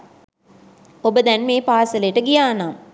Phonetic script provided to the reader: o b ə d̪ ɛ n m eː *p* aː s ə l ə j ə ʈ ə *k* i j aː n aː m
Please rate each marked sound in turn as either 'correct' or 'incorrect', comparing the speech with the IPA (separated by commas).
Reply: correct, incorrect